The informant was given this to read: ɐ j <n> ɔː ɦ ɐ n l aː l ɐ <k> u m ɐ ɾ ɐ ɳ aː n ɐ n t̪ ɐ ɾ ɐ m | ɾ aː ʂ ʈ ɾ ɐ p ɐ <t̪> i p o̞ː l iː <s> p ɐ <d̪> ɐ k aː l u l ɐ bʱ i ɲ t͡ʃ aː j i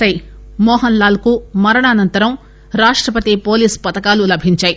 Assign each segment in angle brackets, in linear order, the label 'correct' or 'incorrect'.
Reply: incorrect: m, correct, correct, correct, incorrect: t̪

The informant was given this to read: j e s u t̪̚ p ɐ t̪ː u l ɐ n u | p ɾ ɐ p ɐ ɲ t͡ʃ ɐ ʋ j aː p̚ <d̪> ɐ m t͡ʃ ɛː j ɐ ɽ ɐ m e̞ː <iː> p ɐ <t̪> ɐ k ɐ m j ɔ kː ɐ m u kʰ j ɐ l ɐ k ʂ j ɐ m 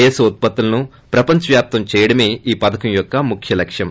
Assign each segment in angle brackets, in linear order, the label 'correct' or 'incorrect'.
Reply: incorrect: t̪, correct, incorrect: d̪

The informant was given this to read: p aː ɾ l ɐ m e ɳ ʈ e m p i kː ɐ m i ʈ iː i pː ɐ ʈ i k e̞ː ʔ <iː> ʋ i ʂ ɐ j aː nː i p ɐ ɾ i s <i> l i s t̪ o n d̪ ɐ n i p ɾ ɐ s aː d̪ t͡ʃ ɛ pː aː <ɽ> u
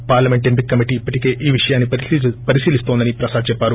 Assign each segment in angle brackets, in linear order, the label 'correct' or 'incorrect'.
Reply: correct, incorrect: iː, incorrect: ɾ

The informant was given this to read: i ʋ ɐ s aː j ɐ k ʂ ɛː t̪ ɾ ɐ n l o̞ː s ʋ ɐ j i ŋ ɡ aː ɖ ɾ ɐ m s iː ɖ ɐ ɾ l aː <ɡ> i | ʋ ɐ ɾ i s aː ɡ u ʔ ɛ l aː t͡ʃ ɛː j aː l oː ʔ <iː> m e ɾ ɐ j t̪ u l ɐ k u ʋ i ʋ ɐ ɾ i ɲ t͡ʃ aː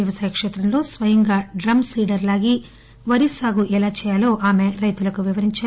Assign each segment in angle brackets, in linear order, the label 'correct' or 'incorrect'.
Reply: correct, incorrect: aː

